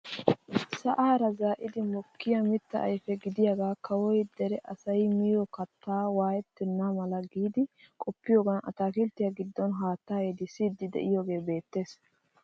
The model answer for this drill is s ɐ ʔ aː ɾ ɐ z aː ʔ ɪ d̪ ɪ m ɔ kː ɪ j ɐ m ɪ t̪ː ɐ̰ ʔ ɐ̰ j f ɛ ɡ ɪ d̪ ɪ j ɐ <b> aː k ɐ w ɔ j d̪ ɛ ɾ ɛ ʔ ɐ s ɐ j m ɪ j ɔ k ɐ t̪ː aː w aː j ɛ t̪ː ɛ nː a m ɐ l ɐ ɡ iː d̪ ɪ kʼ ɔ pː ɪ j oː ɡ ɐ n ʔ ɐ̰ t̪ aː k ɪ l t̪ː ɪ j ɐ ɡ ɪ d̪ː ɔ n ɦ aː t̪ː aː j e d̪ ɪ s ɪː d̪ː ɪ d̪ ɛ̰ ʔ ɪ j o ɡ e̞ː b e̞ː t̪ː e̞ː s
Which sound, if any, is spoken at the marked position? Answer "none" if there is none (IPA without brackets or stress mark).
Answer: ɡ